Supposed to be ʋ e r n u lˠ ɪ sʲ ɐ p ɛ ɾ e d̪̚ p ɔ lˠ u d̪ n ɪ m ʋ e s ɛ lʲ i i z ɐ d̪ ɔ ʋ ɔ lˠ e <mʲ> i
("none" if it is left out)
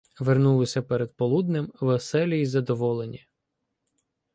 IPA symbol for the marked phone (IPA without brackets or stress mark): nʲ